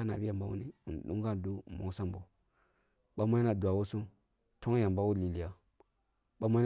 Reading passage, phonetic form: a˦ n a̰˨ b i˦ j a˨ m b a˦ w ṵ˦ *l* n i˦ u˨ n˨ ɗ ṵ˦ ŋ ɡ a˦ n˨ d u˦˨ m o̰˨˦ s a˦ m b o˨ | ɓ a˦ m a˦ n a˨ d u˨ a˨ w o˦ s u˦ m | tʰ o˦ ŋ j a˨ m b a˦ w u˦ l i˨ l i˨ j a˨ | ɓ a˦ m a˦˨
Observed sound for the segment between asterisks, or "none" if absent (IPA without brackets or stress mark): none